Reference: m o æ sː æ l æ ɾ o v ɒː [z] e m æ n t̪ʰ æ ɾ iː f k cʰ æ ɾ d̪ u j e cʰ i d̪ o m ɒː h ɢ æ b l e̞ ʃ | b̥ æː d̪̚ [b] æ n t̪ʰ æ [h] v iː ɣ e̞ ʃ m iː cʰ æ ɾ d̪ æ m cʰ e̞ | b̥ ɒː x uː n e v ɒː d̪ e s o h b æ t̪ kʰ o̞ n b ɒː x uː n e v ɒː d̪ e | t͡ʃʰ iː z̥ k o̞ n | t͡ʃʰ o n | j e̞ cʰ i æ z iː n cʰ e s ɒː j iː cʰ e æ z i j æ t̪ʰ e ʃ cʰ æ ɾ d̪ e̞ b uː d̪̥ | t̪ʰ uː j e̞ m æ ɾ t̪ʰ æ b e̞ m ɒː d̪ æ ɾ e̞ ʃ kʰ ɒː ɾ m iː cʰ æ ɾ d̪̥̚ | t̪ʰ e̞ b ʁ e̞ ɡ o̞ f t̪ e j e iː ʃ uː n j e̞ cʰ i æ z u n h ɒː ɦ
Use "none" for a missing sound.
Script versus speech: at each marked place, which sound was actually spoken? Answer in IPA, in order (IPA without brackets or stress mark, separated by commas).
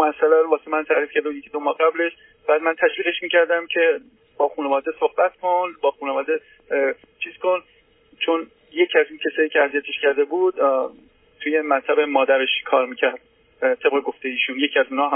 s, m, ʃ